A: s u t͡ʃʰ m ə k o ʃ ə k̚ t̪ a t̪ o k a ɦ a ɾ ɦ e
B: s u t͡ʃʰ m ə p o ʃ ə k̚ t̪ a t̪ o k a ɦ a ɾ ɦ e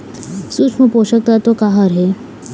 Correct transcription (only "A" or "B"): B